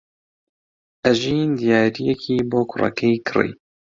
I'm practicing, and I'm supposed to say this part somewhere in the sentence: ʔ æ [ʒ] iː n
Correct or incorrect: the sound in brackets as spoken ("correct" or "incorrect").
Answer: correct